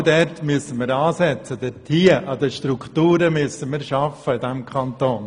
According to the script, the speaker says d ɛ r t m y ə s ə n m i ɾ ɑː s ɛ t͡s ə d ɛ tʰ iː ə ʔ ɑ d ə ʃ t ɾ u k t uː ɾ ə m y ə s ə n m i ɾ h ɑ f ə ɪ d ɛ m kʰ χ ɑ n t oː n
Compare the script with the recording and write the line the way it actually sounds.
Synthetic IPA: d ɛ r t m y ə s ə n m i ɾ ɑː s ɛ t͡s ə d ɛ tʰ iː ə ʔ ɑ d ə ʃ t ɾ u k t uː ɾ ə m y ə s ə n m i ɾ ʃ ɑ f ə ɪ d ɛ m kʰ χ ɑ n t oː n